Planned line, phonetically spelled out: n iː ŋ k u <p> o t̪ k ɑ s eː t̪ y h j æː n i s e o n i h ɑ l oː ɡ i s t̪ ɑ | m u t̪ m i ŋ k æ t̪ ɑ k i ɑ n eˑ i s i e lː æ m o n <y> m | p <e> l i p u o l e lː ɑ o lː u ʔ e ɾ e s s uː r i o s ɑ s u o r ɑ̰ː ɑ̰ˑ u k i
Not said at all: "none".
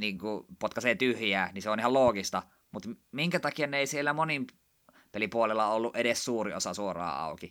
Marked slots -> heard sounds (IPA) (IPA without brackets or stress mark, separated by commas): p, i, e